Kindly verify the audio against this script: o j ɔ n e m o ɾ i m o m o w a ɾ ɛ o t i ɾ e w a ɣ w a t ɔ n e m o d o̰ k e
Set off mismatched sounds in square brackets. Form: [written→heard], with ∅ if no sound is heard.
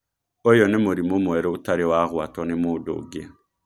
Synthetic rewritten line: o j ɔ n e m o ɾ i m o m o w [a→ɛ] ɾ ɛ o t [i→a] ɾ e w a ɣ w a t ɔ n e m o d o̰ [k→ɡ] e